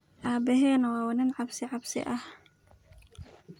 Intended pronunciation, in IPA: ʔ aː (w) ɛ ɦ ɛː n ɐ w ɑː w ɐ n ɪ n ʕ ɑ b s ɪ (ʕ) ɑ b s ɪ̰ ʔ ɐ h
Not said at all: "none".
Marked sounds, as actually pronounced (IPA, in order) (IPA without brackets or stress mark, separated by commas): b, ʕ